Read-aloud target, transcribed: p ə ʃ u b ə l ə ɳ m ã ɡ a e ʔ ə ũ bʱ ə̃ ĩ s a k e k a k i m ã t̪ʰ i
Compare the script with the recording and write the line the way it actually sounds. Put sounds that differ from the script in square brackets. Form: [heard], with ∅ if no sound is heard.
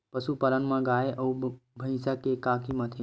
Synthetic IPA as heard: p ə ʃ u [p] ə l ə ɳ m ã ɡ a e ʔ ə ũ bʱ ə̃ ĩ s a k e k a k i m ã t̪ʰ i

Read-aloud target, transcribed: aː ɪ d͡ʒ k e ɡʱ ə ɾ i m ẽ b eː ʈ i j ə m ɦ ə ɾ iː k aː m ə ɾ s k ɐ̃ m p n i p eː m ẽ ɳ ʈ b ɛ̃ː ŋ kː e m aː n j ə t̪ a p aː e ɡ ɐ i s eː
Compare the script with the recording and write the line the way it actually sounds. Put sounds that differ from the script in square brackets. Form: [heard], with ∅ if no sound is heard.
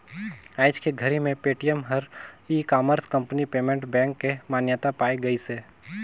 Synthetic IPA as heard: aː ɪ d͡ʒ k e ɡʱ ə ɾ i m ẽ [p] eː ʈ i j ə m ɦ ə ɾ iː k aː m ə ɾ s k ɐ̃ m p n i p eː m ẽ ɳ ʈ b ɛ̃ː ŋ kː e m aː n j ə t̪ a p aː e ɡ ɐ i s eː

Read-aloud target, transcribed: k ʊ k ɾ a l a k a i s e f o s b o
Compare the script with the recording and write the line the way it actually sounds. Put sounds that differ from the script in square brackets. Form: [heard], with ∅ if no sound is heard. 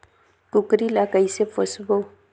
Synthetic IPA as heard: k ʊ k ɾ [i] l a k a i s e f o s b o

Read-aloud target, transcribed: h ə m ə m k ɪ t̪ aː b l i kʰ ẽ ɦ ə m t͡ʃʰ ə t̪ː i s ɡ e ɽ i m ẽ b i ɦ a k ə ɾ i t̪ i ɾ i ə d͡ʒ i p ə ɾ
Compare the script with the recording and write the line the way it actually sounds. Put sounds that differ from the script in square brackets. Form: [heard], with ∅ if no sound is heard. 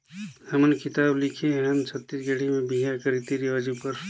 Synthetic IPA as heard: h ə m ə [n] k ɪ t̪ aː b l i kʰ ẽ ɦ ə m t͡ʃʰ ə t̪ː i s ɡ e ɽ i m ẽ b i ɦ a k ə ɾ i t̪ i ɾ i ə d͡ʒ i p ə ɾ

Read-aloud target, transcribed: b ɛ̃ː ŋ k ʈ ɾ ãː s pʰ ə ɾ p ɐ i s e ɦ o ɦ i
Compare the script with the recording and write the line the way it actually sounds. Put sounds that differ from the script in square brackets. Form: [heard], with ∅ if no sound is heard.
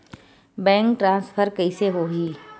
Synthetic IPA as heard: b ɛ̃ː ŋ k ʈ ɾ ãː s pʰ ə ɾ [k] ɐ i s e ɦ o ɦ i

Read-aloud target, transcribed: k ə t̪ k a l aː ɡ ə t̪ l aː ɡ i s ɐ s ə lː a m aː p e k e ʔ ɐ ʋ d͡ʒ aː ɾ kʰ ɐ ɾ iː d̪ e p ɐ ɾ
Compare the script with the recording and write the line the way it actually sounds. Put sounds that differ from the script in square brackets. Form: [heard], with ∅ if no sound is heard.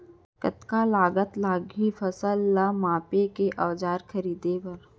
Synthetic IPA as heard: k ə t̪ k a l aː ɡ ə t̪ l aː ɡ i [f] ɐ s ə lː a m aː p e k e ʔ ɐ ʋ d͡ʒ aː ɾ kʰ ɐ ɾ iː d̪ e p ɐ ɾ

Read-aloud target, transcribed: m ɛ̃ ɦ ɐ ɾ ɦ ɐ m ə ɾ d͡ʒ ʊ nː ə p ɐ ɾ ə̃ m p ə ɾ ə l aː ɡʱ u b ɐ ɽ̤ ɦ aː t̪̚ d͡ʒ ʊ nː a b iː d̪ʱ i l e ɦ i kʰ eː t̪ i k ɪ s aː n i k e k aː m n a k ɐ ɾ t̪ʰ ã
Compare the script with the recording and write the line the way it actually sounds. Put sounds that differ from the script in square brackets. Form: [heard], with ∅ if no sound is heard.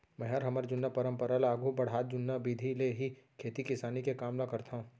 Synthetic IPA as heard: m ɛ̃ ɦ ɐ ɾ ɦ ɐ m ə ɾ d͡ʒ ʊ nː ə p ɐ ɾ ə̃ m p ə ɾ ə l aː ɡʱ u b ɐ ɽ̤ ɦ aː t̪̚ d͡ʒ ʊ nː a b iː d̪ʱ i l e ɦ i kʰ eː t̪ i k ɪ s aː n i k e k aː m n a k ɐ ɾ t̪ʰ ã

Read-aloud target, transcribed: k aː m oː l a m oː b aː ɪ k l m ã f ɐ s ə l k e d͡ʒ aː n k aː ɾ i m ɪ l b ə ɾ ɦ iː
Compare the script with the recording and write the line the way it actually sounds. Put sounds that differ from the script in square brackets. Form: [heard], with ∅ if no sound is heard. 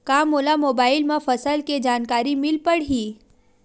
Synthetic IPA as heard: k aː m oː l a m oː b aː ɪ [∅] l m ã f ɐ s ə l k e d͡ʒ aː n k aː ɾ i m ɪ l [p] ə [ɽ] ɦ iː

